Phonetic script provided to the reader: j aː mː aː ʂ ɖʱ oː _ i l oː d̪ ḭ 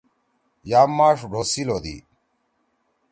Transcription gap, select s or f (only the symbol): s